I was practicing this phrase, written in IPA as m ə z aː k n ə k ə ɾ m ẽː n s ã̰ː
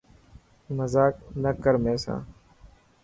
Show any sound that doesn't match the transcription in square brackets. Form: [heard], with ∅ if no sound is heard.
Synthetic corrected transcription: m ə z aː k n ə k ə ɾ m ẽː [∅] s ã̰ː